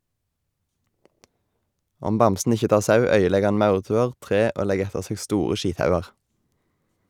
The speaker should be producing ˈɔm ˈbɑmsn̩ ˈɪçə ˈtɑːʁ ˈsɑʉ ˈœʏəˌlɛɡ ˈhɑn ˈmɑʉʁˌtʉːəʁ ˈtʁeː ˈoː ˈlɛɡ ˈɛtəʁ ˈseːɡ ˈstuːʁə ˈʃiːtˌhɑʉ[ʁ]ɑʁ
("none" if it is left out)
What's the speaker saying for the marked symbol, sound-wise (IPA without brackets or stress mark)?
none